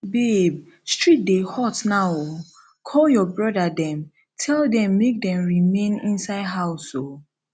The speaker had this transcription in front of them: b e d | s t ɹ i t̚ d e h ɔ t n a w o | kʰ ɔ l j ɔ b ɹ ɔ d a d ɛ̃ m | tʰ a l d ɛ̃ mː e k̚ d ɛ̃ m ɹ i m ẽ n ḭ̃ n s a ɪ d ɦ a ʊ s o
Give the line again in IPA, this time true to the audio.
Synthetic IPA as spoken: b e b | s t ɹ i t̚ d e h ɔ t n a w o | kʰ ɔ l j ɔ b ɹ ɔ d a d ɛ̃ m | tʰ ɛ l d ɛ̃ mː e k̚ d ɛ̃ m ɹ i m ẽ n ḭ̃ n s a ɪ d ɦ a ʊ s o